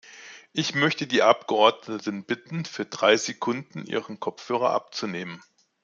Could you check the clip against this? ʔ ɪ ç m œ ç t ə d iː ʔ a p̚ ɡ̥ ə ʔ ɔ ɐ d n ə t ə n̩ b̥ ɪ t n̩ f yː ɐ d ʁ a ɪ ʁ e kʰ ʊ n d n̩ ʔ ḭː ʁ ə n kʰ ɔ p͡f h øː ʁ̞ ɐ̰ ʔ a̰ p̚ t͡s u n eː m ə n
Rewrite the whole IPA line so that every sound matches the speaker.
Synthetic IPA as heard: ʔ ɪ ç m œ ç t ə d iː ʔ a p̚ ɡ̥ ə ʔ ɔ ɐ d n ə t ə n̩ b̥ ɪ t n̩ f yː ɐ d ʁ a ɪ z e kʰ ʊ n d n̩ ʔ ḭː ʁ ə n kʰ ɔ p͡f h øː ʁ̞ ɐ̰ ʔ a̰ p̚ t͡s u n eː m ə n